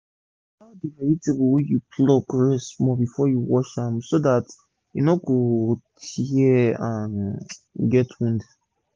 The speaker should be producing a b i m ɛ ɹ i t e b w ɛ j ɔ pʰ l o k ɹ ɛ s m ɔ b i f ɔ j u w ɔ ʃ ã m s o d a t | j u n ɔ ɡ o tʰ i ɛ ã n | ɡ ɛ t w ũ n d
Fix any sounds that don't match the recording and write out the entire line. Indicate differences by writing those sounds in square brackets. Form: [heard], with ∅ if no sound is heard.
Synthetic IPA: a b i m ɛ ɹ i t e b w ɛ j [u] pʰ l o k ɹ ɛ s m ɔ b i f ɔ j u w ɔ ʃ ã m s o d a t | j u n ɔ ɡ o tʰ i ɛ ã n | ɡ ɛ t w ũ n d